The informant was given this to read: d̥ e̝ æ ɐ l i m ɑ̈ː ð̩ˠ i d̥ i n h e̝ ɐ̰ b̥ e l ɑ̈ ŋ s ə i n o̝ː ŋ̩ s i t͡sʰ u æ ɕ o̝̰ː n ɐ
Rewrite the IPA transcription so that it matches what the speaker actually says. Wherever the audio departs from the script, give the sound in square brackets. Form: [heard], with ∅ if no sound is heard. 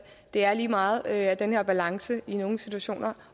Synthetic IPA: d̥ e̝ æ ɐ l [iː] m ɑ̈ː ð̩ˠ [æ] d̥ [e] n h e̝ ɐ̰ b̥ [æ] l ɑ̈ ŋ s ə i n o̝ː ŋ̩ s i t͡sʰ u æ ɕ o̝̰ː n ɐ